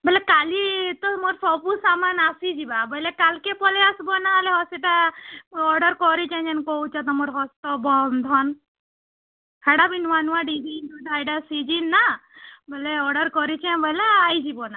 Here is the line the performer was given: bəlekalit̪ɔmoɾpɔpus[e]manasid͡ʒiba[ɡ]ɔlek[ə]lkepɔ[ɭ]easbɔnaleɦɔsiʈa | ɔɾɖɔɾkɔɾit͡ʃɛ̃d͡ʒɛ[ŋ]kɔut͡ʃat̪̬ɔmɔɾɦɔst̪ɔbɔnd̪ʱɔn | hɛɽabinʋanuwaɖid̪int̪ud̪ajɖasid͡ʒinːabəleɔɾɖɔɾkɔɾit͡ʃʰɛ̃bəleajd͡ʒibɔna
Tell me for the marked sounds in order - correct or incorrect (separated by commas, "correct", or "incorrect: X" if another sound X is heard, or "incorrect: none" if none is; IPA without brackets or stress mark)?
incorrect: a, incorrect: b, incorrect: a, incorrect: l, incorrect: n